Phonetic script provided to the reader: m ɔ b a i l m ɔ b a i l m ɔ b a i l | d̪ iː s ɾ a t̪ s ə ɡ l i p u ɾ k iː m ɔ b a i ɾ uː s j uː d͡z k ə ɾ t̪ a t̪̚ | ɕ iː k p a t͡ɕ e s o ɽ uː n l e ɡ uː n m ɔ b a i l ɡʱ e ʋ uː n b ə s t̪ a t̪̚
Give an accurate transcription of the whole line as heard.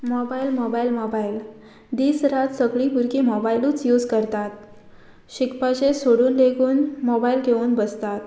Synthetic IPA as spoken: m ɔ b a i l m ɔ b a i l m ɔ b a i l | d̪ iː s ɾ a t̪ s ə ɡ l i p u ɾ k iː m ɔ b a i l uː t͡s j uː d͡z k ə ɾ t̪ a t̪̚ | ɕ i k p a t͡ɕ e s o ɽ uː n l e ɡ uː n m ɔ b a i l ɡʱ e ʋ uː n b ə s t̪ a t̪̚

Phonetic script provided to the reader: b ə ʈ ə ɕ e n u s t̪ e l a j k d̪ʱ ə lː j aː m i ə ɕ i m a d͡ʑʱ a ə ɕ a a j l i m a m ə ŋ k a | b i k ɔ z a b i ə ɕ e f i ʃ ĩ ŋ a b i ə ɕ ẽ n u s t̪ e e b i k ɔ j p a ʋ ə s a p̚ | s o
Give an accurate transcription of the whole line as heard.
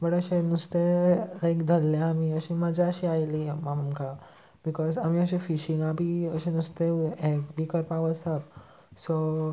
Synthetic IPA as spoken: b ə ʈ ə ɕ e n u s t̪ e l a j k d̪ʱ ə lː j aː m i ə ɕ i m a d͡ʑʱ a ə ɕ i a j l i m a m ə m k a | b i k ɔ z a m i ə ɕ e f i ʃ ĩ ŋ a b i ə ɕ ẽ n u s t̪ e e b i k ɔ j p a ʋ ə s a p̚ | s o

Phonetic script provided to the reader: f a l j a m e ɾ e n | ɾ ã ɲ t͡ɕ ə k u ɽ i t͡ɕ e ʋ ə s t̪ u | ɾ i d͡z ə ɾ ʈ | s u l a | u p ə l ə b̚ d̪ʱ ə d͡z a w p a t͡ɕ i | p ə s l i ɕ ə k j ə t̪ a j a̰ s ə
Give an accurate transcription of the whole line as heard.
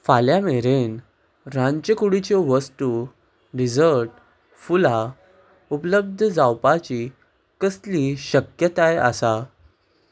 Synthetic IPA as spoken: f a l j a m e ɾ e n | ɾ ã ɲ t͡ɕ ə k u ɽ i t͡ɕ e ʋ ə s t̪ u | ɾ i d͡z ə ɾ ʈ | f u l a | u p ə l ə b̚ d̪ʱ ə d͡z a w p a t͡ɕ i | k ə s l i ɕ ə k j ə t̪ a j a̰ s a

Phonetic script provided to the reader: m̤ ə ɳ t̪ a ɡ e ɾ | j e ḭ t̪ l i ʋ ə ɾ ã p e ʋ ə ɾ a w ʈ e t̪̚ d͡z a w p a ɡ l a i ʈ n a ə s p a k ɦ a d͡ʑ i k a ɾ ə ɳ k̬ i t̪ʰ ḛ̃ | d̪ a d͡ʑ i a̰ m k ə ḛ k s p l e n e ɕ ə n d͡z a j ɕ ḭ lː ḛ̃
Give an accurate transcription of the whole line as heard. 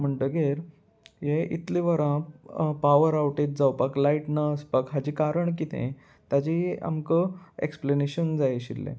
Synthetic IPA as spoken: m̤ ə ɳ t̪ ə ɡ e ɾ | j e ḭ t̪ l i ʋ ə ɾ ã p a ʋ ə ɾ a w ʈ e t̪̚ d͡z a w p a k l a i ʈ n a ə s p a k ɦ a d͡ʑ i k a ɾ ə ɳ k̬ i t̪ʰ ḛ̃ | t̪ a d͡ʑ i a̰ m k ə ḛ k s p l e n e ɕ ə n d͡z a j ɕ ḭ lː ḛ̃

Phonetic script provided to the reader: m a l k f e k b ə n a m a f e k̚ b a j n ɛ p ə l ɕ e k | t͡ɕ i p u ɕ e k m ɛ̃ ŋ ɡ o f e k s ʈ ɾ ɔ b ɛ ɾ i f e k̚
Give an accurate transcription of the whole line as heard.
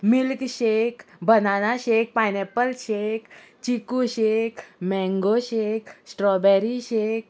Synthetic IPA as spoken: m i l k ɕ e k b ə n a n a ɕ e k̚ p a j n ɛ p ə l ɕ e k | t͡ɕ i k u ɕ e k m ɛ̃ ŋ ɡ o ɕ e k s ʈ ɾ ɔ b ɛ ɾ i ɕ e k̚

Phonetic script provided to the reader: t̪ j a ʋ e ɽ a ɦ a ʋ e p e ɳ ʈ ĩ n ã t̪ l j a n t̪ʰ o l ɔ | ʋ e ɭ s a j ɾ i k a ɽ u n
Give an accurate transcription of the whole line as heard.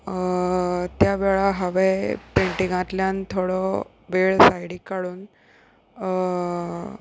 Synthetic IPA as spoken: t̪ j a ʋ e ɭ a ɦ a ʋ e p e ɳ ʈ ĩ ŋ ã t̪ l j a n t̪ʰ o ɽ ɔ | ʋ e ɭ s a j ɽ i k a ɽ uː n

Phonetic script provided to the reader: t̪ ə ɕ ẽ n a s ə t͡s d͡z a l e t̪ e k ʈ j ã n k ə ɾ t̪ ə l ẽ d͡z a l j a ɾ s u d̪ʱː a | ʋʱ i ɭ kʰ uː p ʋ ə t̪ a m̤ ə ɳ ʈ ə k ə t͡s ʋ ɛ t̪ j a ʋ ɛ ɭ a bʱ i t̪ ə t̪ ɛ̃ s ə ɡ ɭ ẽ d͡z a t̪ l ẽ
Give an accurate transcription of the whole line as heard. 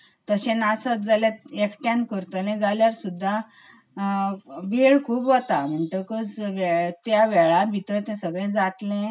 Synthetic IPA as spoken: t̪ ə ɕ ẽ n a s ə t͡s d͡z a l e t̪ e k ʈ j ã n k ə ɾ t̪ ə l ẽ d͡z a l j a ɾ s u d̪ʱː a | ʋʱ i ɭ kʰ uː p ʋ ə t̪ a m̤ ə ɳ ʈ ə k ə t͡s ʋ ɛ t̪ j a ʋ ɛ ɭ a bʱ i t̪ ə t̪ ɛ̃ s ə ɡ ɭ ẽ d͡z a t̪ l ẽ

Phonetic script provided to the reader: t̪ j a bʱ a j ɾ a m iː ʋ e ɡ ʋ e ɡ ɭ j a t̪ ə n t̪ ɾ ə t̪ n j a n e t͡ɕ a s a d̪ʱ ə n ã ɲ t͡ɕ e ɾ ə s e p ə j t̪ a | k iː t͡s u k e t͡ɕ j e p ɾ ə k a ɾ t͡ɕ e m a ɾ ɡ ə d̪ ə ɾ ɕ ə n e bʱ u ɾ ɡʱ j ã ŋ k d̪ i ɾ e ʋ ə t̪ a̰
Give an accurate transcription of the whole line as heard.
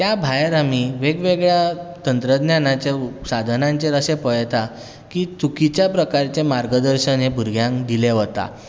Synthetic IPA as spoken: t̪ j a bʱ a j ɾ a m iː ʋ e ɡ ʋ e ɡ ɭ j a t̪ ə n t̪ ɾ ə d̪ n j a n a t͡ɕ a s a d̪ʱ ə n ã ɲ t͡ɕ e ɾ ə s e p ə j t̪ a | k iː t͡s u k i t͡ɕ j a p ɾ ə k a ɾ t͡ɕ e m a ɾ ɡ ə d̪ ə ɾ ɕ ə n e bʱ u ɾ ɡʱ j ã ŋ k d̪ i l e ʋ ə t̪ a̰

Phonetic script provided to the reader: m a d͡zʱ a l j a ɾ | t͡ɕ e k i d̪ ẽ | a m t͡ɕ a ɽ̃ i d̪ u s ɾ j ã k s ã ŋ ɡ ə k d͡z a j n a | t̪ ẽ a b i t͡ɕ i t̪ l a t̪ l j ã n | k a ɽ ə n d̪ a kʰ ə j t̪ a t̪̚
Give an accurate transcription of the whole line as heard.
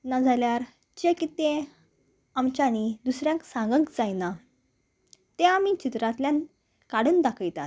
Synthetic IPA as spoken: n a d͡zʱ a l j a ɾ | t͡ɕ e k i t̪ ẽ | a m t͡ɕ a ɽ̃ i d̪ u s ɾ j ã k s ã ŋ ɡ ə k d͡z a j n a | t̪ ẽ a m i t͡ɕ i t̪ ɾ a t̪ l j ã n | k a ɽ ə n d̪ a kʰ ə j t̪ a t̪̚

